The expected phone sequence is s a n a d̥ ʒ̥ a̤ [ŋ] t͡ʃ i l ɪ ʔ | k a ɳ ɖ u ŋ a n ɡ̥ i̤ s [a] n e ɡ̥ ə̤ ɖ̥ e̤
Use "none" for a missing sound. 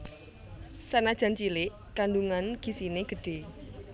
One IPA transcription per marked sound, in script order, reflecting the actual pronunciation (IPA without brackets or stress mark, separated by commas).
n, i